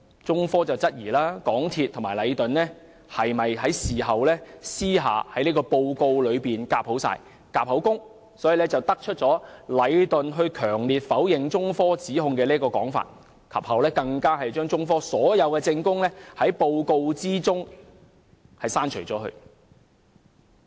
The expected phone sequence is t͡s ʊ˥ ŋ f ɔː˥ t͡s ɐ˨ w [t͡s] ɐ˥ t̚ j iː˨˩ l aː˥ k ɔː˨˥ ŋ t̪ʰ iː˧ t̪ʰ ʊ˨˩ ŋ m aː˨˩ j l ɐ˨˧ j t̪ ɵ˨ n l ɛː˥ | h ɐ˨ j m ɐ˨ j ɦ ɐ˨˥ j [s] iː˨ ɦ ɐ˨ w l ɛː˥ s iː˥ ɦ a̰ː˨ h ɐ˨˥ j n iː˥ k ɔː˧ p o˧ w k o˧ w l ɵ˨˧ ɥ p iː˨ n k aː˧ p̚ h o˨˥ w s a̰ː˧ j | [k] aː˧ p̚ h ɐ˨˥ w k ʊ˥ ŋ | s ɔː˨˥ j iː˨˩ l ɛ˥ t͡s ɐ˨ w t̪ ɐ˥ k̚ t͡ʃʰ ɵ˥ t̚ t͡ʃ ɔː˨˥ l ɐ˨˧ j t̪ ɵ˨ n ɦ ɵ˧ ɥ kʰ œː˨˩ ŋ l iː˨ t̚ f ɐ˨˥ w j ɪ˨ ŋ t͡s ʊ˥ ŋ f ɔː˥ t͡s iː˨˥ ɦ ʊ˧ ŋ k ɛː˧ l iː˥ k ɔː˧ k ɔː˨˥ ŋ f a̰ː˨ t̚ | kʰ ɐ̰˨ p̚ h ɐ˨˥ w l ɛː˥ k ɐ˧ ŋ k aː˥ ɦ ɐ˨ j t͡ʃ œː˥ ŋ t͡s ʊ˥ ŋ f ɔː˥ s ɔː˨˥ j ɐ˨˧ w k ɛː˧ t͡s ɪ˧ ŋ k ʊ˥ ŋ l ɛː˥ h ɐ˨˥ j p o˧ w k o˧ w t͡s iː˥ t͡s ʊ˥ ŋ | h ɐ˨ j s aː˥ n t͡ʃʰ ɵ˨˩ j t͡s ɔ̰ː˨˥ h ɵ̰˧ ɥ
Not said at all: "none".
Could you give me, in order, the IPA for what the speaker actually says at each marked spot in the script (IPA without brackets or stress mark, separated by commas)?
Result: t͡s, s, k